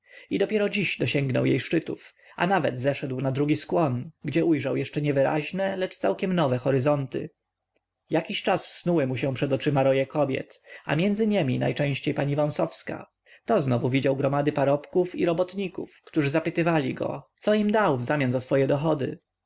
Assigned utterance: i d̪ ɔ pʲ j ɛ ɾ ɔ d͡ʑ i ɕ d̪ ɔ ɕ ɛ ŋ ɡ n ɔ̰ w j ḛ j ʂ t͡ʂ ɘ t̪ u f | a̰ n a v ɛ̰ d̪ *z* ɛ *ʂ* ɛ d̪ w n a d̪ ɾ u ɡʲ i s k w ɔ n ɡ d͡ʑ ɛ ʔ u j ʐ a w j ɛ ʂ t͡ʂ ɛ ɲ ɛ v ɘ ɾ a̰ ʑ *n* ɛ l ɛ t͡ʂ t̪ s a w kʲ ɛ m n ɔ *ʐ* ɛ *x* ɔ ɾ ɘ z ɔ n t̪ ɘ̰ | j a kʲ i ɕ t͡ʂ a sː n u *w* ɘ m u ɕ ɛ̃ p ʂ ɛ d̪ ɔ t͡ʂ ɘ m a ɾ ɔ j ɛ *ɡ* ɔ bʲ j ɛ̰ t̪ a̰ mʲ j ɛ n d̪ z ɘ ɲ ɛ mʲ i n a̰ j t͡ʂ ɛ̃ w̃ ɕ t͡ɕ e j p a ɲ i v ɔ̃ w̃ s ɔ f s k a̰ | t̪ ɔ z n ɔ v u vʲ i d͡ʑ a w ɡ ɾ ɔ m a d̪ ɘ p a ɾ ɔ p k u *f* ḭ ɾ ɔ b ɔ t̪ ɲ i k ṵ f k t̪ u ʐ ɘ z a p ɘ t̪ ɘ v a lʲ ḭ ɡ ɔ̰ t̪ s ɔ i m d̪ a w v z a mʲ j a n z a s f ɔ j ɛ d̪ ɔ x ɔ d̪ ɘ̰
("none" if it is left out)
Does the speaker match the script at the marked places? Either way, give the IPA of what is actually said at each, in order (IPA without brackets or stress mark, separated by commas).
z, ʂ, n, v, x, w, k, f